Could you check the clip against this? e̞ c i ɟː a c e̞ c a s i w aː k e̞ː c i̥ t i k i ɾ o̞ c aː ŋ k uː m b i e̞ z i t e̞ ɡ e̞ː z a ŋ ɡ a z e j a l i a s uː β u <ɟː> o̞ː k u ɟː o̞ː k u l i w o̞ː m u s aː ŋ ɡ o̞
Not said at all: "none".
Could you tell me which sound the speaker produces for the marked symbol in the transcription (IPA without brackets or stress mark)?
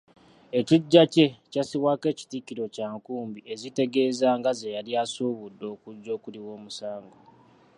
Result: dː